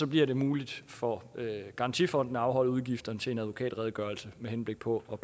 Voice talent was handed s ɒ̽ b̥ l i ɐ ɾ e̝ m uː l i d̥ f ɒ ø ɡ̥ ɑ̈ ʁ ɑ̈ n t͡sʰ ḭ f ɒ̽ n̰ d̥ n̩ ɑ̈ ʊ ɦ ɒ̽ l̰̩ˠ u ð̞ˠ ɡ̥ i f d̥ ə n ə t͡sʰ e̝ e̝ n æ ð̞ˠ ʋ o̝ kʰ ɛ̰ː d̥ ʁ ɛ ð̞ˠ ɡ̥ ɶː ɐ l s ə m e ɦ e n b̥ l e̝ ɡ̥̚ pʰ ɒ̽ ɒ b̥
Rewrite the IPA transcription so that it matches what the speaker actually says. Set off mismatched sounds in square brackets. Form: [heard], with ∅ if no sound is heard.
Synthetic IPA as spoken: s ɒ̽ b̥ l i ɐ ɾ e̝ m uː l i d̥ f ɒ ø ɡ̥ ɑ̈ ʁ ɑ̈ n t͡sʰ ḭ f ɒ̽ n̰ d̥ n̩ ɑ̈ ʊ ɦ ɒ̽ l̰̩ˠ u ð̞ˠ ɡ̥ i f d̥ [ɐ] n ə t͡sʰ e̝ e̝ n æ ð̞ˠ ʋ o̝ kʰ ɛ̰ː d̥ ʁ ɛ ð̞ˠ ɡ̥ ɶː ɐ l s ə m e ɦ e n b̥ l e̝ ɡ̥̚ pʰ ɒ̽ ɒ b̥